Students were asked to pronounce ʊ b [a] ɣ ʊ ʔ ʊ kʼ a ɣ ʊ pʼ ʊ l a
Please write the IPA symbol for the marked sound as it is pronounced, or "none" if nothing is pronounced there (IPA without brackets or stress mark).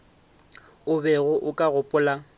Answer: ɛ